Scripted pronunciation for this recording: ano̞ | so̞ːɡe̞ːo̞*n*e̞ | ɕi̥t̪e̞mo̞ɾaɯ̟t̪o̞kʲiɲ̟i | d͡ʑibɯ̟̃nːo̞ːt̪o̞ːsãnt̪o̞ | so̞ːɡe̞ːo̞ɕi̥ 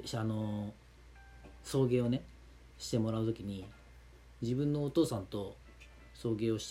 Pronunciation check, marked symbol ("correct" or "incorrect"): correct